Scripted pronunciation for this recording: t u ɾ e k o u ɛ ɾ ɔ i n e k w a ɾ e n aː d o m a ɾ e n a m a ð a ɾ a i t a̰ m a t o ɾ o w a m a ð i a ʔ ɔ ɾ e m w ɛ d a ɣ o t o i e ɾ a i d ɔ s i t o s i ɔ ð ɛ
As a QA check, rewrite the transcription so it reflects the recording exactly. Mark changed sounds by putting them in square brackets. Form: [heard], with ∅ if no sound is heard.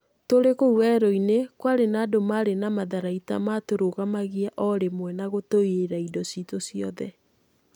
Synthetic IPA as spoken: t [o] ɾ e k o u ɛ ɾ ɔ i n e k w a ɾ e n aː d o m a ɾ e n a m a ð a ɾ a i t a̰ m a t o ɾ o [ɣ] a m a [ɣ] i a ʔ ɔ ɾ e m w ɛ [n] a ɣ o t o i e ɾ a i d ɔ s i t o s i ɔ ð ɛ